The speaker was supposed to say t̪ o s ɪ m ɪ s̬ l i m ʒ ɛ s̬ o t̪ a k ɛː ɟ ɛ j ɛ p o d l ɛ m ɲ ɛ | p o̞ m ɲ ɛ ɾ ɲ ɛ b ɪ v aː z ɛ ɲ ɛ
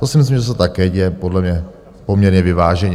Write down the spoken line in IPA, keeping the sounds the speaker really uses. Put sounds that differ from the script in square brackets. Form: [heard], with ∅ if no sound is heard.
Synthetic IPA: t̪ o s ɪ m ɪ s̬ l i m ʒ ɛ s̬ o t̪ a k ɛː ɟ ɛ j ɛ p o d l ɛ m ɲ ɛ | p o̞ m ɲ ɛ ɾ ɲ ɛ [v] ɪ v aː [ʒ] ɛ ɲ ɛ